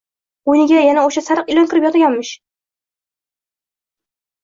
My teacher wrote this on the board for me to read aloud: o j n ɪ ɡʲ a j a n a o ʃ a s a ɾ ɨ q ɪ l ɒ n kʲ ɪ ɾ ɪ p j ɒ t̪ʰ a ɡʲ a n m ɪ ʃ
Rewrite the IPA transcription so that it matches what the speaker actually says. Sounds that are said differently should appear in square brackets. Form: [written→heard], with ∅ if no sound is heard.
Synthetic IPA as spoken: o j n ɪ ɡʲ a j a n a o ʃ a s a ɾ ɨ q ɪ l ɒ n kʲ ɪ ɾ ɪ p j ɒ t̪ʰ a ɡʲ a n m ɪ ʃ

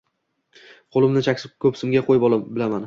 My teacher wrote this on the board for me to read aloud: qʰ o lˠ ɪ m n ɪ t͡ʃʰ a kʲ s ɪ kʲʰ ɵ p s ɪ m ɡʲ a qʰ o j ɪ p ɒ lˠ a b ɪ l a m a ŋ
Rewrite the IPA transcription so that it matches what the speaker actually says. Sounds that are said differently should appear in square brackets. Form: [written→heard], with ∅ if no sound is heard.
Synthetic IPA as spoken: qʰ o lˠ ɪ m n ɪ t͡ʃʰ a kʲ s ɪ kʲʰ ɵ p s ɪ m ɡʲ a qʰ o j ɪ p ɒ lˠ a b ɪ l a m a [ŋ→n]

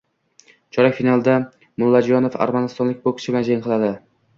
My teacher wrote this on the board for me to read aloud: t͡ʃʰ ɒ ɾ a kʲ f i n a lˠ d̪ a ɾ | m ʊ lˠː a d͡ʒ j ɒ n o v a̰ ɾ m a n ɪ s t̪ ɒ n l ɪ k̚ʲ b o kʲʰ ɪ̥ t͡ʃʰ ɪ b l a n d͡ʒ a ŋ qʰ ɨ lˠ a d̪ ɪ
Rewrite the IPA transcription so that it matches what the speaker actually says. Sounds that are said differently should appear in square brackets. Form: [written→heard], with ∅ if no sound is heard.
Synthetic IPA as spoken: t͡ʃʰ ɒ ɾ a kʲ f i n a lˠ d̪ a [ɾ→∅] | m ʊ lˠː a d͡ʒ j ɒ n o [v→f] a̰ ɾ m a n ɪ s t̪ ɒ n l ɪ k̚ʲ b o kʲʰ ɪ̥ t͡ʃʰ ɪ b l a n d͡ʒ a ŋ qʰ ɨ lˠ a d̪ ɪ

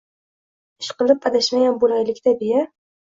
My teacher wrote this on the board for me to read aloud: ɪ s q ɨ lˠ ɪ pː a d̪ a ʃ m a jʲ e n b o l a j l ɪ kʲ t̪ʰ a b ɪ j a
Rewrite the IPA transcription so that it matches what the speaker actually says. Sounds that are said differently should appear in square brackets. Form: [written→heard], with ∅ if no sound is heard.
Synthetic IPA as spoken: ɪ [s→ʃ] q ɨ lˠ ɪ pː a d̪ a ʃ m a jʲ [e→a] n b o l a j l ɪ kʲ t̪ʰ a b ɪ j a

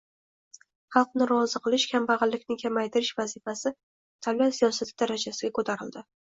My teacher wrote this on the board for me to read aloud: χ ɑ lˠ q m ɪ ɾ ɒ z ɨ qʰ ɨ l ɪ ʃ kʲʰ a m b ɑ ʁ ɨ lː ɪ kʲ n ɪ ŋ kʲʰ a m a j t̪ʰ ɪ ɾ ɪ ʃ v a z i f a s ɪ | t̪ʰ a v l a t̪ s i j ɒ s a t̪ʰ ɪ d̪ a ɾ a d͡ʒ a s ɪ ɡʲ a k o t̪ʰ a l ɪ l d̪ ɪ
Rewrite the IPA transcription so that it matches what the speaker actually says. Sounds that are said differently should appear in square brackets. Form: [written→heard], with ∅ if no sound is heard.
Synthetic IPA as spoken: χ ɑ lˠ q [m→n] ɪ ɾ ɒ z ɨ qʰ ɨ l ɪ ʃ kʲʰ a m b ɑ ʁ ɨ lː ɪ kʲ n ɪ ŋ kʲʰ a m a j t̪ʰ ɪ ɾ ɪ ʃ v a z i f a s ɪ | t̪ʰ a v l a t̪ s i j ɒ s a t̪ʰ ɪ d̪ a ɾ a d͡ʒ a s ɪ ɡʲ a k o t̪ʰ a [l→ɾ] ɪ l d̪ ɪ

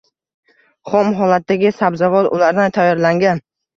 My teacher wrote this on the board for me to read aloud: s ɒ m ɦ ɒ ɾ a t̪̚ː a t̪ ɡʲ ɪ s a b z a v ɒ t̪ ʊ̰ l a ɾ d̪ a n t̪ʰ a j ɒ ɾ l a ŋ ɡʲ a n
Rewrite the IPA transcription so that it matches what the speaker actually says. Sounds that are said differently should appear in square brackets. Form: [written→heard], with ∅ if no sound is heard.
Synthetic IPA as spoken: [s→χ] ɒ m ɦ ɒ [ɾ→l] a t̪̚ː a [t̪→∅] ɡʲ ɪ s a b z a v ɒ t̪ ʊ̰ l a ɾ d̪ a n t̪ʰ a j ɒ ɾ l a ŋ ɡʲ a n

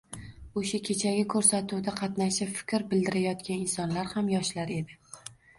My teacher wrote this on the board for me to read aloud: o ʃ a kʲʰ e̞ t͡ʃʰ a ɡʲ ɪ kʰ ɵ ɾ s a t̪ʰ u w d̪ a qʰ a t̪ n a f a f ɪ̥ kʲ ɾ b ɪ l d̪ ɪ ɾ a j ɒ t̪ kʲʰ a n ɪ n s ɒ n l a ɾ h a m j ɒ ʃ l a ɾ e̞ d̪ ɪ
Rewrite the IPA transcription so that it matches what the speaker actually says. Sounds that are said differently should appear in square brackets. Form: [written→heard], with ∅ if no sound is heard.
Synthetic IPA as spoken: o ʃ a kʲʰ e̞ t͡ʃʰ a ɡʲ ɪ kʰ ɵ ɾ s a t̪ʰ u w d̪ a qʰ [a→ɑ] t̪ n a [f→ʃ] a f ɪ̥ kʲ ɾ b ɪ l d̪ ɪ ɾ a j ɒ t̪ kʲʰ a n ɪ n s ɒ n l a ɾ h a m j ɒ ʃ l a ɾ e̞ d̪ ɪ

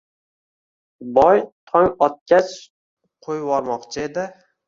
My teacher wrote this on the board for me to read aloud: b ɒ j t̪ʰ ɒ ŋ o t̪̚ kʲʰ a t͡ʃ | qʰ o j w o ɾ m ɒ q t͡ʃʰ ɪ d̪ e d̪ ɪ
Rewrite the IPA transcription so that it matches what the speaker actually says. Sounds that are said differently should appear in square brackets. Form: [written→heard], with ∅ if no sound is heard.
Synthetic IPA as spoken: b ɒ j t̪ʰ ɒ ŋ [o→ɒ] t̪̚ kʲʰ a t͡ʃ | qʰ o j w [o→ɒ] ɾ m ɒ q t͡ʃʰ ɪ [d̪→∅] e d̪ ɪ

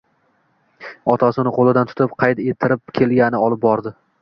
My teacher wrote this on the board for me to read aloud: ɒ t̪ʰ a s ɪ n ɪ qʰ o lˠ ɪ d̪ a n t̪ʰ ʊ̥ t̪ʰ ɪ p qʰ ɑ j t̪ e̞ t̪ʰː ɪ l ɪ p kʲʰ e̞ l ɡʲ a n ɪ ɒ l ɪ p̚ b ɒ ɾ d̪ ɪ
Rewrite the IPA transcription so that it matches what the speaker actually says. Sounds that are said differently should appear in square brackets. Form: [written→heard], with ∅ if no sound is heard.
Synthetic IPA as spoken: ɒ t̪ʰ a s ɪ n ɪ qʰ o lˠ ɪ d̪ a n t̪ʰ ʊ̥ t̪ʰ ɪ p qʰ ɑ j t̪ e̞ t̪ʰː ɪ [l→ɾ] ɪ p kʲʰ e̞ l ɡʲ a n ɪ ɒ l ɪ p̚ b ɒ ɾ d̪ ɪ

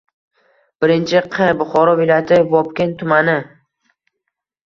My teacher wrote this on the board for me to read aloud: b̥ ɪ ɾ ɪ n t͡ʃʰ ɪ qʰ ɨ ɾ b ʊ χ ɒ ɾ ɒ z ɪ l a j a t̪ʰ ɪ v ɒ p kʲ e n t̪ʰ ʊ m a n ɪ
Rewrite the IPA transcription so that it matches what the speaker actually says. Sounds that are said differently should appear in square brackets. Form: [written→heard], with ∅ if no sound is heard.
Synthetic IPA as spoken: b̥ ɪ ɾ ɪ n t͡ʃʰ ɪ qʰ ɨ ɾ b ʊ χ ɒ ɾ ɒ [z→v] ɪ l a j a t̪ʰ ɪ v ɒ p kʲ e n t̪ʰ ʊ m a n ɪ

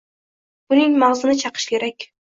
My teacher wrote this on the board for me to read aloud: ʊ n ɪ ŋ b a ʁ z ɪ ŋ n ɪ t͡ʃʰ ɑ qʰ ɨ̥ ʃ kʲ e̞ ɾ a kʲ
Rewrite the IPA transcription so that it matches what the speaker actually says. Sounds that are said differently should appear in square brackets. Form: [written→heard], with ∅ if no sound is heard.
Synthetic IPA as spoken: ʊ n ɪ ŋ [b→m] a ʁ z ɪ [ŋ→∅] n ɪ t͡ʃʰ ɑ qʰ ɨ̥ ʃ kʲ e̞ ɾ a kʲ

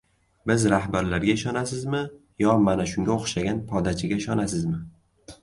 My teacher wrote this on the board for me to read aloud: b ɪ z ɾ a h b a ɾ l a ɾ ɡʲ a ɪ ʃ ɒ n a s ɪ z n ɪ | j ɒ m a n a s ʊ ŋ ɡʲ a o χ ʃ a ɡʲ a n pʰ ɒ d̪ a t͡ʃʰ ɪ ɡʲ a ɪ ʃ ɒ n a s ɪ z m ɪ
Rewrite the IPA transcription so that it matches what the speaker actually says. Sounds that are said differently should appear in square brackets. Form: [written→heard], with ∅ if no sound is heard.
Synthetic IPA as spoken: b ɪ z ɾ a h b a ɾ l a ɾ ɡʲ a ɪ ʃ ɒ n a s ɪ z [n→m] ɪ | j ɒ m a n a [s→ʃ] ʊ ŋ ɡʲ a o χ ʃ a ɡʲ a n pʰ ɒ d̪ a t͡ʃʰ ɪ ɡʲ a ɪ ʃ ɒ n a s ɪ z m ɪ

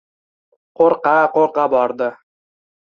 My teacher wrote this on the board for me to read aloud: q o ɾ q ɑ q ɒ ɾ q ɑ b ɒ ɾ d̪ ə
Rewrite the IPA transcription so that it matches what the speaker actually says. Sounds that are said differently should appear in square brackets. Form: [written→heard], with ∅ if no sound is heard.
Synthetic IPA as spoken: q o ɾ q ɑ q [ɒ→o] ɾ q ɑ b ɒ ɾ d̪ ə

